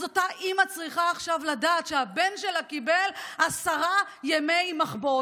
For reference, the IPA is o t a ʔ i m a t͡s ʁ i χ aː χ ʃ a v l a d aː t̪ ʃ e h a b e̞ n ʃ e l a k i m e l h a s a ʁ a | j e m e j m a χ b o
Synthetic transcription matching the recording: o t a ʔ i m a t͡s ʁ i χ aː χ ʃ a v l a d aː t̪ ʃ e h a b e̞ n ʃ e l a k i b e l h a s a ʁ a | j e m e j m a χ b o